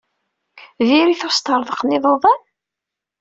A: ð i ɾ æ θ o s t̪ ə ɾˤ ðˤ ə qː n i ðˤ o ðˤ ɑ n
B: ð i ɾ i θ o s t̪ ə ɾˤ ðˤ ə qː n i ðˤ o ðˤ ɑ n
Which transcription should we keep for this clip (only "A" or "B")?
B